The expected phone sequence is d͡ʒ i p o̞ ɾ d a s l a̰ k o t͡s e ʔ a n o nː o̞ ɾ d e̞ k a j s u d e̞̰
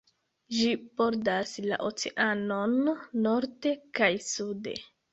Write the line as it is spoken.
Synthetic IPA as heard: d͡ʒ i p o̞ ɾ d a s l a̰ ʔ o t͡s e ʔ a n o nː o̞ ɾ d e̞ k a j s u d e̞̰